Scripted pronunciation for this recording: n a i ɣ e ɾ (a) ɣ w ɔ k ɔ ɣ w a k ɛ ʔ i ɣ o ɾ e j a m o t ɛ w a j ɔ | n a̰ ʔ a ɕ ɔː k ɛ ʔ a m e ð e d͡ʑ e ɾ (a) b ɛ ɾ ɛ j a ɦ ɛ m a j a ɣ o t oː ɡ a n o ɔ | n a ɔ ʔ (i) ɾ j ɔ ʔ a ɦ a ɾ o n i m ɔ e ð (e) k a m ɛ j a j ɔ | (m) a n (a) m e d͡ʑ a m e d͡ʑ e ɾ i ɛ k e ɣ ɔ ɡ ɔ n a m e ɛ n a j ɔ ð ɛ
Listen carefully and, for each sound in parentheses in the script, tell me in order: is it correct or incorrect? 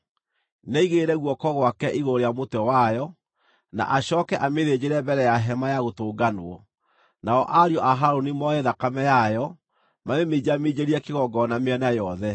incorrect, incorrect, incorrect, incorrect, correct, incorrect

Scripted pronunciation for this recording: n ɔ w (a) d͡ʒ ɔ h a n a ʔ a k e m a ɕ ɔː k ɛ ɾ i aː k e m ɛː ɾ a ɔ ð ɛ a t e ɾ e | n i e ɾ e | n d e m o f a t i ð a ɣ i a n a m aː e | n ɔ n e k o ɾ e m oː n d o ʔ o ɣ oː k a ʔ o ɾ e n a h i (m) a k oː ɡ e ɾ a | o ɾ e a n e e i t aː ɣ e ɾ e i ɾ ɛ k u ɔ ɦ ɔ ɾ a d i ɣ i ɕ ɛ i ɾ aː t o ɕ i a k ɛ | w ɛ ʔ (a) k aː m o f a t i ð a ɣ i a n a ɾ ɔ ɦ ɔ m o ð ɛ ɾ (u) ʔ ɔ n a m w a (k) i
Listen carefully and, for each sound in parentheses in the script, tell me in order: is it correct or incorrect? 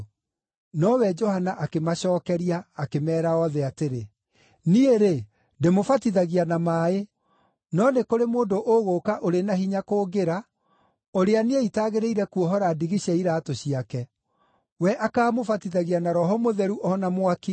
incorrect, incorrect, correct, correct, correct

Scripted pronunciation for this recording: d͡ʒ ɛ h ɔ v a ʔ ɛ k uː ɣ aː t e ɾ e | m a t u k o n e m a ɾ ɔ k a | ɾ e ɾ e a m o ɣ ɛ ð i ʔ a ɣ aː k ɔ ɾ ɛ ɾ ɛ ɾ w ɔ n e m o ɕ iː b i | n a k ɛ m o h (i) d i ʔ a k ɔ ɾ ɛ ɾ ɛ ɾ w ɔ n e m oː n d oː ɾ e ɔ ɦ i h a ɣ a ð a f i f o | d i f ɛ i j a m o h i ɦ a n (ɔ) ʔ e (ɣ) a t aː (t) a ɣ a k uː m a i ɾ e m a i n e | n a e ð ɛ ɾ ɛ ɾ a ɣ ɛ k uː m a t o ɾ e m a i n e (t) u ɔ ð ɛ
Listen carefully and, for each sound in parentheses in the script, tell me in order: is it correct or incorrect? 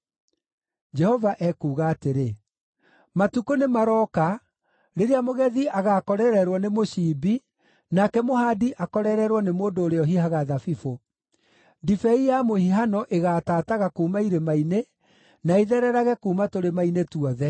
incorrect, correct, correct, correct, correct

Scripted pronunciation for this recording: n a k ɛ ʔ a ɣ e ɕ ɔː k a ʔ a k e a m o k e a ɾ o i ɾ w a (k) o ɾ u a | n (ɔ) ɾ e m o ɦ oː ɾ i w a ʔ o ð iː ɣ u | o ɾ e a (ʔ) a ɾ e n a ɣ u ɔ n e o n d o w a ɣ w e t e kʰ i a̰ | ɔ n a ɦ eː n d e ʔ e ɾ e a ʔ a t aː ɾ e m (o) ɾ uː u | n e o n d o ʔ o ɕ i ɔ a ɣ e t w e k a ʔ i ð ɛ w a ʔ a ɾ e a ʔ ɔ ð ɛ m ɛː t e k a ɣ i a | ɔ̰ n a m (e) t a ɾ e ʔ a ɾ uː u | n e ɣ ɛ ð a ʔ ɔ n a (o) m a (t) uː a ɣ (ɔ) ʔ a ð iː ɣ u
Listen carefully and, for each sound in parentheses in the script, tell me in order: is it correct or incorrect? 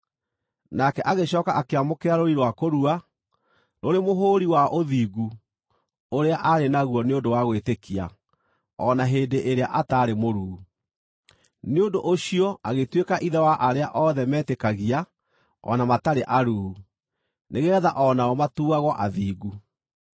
correct, incorrect, correct, correct, incorrect, incorrect, correct, correct

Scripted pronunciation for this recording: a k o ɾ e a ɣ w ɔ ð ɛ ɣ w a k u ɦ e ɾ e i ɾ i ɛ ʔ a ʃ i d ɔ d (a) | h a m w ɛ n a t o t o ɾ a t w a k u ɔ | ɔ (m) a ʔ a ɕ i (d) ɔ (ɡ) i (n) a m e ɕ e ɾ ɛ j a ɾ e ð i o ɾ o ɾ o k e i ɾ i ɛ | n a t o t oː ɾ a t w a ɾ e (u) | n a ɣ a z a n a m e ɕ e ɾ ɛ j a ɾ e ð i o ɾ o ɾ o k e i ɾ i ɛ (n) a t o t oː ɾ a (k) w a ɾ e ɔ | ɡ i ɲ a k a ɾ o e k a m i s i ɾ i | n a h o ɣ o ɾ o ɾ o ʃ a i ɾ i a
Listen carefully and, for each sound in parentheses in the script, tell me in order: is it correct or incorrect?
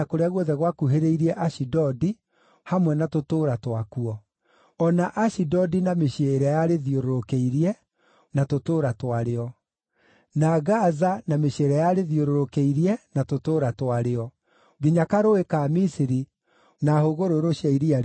incorrect, incorrect, correct, incorrect, correct, incorrect, correct, incorrect

